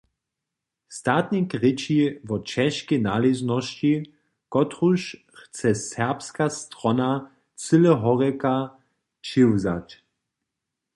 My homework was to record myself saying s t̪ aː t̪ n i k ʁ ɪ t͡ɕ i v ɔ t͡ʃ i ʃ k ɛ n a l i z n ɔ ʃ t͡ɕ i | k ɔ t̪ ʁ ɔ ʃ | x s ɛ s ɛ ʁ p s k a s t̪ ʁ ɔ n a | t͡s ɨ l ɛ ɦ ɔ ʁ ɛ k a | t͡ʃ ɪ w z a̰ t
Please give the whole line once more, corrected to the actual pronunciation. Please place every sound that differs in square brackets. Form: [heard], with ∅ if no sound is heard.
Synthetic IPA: s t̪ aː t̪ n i k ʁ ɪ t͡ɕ i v ɔ t͡ʃ [ɛ] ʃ k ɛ n a l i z n ɔ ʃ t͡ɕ i | k ɔ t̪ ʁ [u] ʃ | x [t͡s] ɛ s ɛ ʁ p s k a s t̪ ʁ ɔ n a | t͡s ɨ l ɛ ɦ ɔ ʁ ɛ k a | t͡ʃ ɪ w z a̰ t